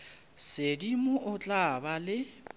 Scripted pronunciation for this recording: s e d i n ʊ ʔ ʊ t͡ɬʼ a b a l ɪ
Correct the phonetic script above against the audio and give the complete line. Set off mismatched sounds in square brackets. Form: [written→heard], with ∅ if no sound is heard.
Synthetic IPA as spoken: s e d i [n→m] ʊ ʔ ʊ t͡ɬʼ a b a l ɪ